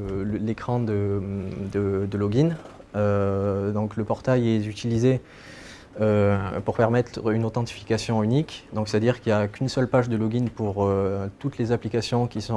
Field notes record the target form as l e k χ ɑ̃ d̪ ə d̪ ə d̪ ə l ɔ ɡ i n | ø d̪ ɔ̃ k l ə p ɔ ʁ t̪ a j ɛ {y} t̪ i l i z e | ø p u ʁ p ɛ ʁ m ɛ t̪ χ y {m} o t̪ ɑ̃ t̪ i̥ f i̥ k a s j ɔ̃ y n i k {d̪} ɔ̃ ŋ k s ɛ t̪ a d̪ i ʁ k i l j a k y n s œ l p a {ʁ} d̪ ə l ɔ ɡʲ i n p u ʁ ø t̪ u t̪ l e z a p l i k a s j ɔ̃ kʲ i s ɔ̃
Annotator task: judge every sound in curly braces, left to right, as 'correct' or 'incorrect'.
correct, incorrect: n, correct, incorrect: ʒ

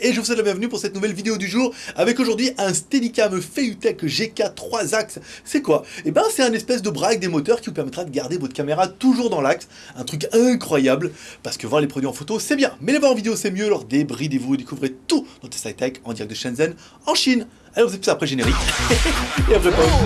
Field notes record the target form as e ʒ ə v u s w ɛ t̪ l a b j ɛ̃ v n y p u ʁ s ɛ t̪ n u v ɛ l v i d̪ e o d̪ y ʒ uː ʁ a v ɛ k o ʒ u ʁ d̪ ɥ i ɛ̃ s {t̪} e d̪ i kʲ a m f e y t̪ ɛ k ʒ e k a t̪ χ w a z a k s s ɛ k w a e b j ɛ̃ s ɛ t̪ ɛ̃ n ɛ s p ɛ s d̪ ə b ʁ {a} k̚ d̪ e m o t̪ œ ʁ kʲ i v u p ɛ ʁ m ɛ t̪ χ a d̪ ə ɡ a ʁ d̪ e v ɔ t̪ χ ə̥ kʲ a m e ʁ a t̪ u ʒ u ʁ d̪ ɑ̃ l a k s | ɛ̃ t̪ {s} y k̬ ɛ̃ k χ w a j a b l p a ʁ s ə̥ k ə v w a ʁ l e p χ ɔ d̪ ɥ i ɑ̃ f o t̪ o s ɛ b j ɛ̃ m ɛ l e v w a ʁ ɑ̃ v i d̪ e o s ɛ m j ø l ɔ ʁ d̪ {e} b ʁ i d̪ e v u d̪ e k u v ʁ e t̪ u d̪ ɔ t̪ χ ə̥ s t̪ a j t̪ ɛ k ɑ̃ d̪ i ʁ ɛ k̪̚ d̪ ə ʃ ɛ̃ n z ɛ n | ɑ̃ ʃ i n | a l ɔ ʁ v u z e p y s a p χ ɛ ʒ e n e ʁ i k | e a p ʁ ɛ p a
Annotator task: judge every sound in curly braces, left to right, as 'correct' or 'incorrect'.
correct, correct, incorrect: χ, correct

